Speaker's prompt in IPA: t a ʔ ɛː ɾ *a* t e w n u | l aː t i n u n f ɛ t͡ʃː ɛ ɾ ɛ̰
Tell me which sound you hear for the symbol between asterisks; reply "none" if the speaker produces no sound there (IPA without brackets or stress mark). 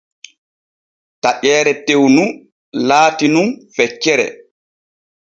ɛ